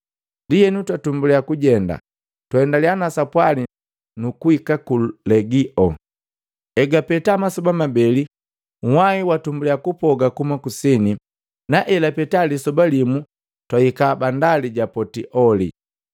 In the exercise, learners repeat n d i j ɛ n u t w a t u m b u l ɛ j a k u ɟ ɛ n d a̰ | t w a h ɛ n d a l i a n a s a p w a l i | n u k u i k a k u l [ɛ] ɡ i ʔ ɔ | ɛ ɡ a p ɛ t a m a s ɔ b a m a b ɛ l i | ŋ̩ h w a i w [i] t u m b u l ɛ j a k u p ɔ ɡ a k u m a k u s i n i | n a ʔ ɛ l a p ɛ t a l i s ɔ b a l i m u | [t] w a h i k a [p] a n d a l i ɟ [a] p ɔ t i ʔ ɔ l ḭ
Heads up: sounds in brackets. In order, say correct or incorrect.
correct, incorrect: a, correct, incorrect: b, correct

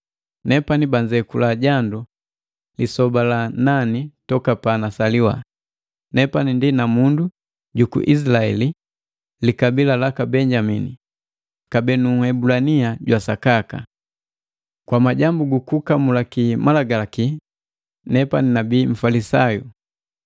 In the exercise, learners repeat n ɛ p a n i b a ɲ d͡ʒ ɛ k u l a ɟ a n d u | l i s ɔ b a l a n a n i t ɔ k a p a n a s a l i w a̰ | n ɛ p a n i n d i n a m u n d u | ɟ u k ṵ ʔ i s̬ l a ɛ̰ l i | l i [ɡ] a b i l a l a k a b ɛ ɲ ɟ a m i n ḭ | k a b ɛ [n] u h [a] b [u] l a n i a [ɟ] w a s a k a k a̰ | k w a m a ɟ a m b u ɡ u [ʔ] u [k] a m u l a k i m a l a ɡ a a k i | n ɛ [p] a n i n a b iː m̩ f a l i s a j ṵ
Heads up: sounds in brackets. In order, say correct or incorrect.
incorrect: k, correct, incorrect: ɛ, correct, correct, incorrect: k, correct, correct

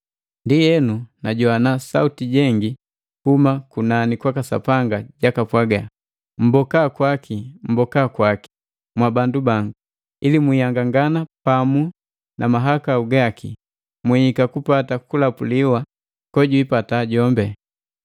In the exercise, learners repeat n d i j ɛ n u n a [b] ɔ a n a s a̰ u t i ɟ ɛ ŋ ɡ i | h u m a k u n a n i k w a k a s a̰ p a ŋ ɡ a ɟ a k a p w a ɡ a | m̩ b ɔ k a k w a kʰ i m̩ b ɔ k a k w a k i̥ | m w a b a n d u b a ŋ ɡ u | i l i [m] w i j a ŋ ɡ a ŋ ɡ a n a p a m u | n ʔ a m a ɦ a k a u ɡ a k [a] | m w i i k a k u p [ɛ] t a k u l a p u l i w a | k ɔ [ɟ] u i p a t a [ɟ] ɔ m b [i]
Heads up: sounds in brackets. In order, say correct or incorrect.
incorrect: ɟ, correct, incorrect: i, incorrect: a, correct, correct, incorrect: ɛ

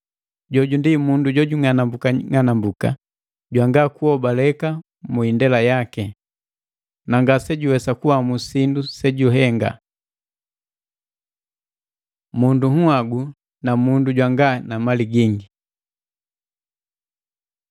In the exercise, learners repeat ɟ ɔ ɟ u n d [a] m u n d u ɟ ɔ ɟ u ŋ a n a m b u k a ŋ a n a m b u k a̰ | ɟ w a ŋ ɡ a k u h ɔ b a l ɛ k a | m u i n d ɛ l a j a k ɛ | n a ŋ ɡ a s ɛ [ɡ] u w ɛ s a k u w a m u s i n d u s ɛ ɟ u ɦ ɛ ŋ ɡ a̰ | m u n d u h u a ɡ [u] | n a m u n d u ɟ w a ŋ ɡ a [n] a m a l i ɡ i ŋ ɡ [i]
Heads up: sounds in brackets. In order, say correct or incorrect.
incorrect: i, incorrect: ɟ, correct, correct, correct

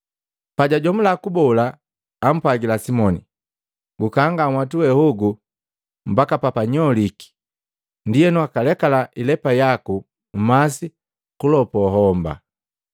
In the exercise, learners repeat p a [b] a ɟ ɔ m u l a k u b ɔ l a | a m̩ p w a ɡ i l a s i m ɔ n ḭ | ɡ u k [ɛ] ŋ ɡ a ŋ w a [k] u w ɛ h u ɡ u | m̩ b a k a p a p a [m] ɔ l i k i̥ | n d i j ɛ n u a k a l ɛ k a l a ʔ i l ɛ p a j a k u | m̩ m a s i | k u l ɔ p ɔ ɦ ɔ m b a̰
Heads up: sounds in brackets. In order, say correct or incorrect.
incorrect: ɟ, incorrect: a, incorrect: t, incorrect: ɲ

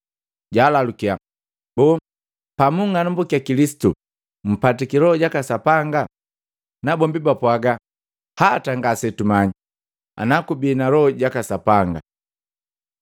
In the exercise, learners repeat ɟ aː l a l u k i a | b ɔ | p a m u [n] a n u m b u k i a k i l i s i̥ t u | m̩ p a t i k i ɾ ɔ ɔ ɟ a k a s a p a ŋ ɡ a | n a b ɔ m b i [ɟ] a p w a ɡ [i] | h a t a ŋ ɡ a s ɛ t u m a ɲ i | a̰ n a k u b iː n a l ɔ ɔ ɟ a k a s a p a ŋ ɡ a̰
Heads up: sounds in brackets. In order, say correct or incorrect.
incorrect: ŋ, incorrect: b, incorrect: a

